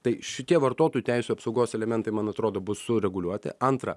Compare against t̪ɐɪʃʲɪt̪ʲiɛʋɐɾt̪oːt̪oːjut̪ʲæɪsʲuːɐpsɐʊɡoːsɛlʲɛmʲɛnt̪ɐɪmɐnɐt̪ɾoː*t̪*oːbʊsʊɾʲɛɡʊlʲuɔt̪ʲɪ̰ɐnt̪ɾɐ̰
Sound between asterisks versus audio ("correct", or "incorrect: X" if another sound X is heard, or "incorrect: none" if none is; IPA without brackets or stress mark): incorrect: d̪